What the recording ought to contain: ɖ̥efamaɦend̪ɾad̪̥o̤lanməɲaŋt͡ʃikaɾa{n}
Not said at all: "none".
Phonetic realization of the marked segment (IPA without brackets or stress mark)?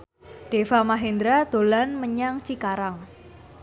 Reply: ŋ